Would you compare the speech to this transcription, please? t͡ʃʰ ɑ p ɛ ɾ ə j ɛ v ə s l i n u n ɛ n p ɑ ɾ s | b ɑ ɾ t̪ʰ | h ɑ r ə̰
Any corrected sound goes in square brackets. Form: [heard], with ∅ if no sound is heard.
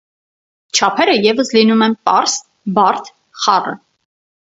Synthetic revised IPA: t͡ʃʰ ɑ [pʰ] ɛ ɾ ə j ɛ v ə s l i n u [m] ɛ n p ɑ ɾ s | b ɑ ɾ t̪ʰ | [χ] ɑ r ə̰